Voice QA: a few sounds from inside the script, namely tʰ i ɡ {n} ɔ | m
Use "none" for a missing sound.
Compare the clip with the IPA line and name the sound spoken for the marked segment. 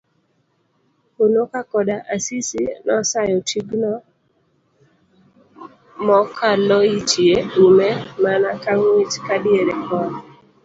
n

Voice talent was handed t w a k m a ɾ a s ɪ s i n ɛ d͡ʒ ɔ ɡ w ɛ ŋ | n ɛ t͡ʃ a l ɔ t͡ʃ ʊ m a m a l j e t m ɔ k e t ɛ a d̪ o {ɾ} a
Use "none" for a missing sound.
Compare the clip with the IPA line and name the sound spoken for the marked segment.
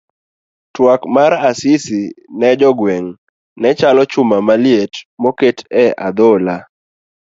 l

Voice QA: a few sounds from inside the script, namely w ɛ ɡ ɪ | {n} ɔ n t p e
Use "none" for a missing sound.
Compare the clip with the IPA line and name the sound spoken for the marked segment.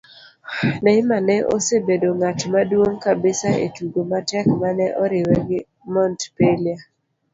m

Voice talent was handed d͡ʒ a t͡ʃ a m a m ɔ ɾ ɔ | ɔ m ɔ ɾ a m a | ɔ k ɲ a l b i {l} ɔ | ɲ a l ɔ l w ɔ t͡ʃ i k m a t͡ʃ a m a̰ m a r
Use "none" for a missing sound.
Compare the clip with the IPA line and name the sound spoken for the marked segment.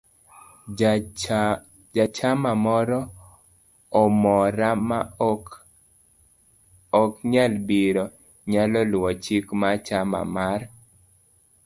ɾ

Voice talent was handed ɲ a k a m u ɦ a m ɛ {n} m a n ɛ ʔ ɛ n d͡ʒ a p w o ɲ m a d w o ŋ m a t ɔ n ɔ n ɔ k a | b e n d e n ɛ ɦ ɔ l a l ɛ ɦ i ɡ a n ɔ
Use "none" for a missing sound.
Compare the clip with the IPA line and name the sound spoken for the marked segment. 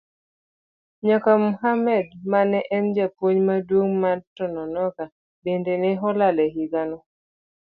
d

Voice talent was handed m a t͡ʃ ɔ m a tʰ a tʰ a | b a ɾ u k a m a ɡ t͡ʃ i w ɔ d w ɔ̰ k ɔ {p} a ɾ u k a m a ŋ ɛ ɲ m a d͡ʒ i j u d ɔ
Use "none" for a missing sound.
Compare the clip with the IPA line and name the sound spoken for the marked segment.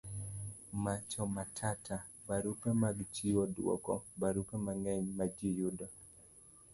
b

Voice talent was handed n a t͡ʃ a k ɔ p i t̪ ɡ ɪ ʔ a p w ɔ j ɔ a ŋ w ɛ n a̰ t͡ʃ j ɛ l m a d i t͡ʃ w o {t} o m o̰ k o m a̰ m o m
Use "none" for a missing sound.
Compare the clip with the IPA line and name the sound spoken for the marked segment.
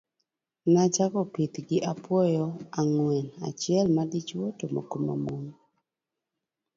t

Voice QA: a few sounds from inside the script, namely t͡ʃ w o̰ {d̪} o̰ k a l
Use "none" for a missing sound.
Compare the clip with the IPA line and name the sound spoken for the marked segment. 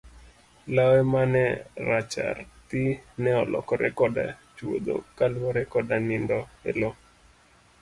d̪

